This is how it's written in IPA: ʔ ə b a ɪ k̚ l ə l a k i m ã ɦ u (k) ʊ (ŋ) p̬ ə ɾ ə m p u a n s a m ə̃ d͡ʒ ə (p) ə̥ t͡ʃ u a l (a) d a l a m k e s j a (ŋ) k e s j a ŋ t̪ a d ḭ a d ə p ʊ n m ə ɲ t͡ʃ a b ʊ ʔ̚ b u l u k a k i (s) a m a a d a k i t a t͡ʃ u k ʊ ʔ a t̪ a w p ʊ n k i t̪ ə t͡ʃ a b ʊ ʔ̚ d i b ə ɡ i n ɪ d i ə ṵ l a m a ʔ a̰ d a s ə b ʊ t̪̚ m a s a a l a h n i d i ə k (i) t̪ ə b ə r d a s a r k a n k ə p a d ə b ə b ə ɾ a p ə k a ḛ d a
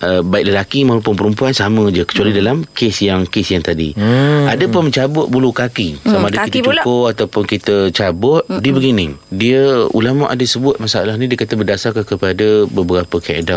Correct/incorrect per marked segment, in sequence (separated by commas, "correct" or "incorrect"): incorrect, incorrect, incorrect, incorrect, correct, correct, incorrect